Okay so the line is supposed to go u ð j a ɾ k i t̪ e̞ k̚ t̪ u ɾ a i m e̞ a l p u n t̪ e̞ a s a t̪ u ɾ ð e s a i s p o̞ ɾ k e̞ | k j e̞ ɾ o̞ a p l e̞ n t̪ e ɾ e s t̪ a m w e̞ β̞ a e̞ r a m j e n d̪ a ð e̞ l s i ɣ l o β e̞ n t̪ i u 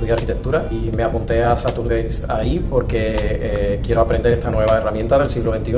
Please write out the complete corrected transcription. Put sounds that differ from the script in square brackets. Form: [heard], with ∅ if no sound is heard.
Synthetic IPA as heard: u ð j a ɾ k i t̪ e̞ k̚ t̪ u ɾ a i m e̞ a [∅] p u n t̪ e̞ a s a t̪ u ɾ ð e s a i [∅] p o̞ ɾ k e̞ | k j e̞ ɾ o̞ a p [ɾ] e̞ n [d̪] e ɾ e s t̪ a [n] w e̞ β̞ a e̞ r a m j e n [t̪] a ð e̞ l s i ɣ l o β e̞ n t̪ i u